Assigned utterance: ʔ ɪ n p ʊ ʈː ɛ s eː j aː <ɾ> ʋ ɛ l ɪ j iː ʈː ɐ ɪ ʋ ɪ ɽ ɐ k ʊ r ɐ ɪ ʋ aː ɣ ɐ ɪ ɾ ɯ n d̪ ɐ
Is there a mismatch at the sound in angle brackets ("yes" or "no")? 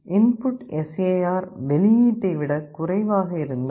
no